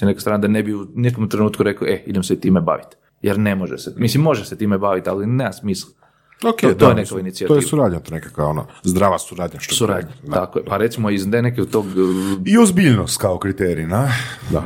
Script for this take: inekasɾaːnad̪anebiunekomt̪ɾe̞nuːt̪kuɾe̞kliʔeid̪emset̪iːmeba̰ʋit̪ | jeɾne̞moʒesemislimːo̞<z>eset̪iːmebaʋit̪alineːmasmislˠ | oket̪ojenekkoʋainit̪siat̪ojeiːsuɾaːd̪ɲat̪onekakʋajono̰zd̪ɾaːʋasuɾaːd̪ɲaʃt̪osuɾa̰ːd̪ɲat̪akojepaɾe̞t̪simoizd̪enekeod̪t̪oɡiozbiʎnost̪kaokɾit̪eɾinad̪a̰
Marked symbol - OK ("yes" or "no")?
no